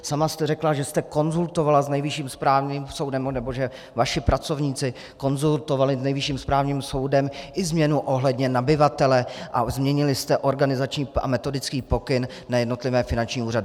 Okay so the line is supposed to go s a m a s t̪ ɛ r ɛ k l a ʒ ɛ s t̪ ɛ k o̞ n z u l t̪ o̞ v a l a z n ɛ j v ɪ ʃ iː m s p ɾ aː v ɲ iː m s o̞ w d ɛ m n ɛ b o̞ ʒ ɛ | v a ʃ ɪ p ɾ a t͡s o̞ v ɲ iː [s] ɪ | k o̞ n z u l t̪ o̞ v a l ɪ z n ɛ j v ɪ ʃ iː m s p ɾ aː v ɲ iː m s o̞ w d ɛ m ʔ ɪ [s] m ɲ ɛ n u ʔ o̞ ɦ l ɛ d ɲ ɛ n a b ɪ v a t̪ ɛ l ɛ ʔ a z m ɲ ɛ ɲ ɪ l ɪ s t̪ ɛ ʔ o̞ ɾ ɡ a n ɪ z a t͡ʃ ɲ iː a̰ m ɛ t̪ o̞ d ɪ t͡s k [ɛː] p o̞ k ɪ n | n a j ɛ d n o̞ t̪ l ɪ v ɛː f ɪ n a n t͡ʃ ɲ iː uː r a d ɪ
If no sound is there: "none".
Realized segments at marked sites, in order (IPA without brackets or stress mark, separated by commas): t͡s, z, iː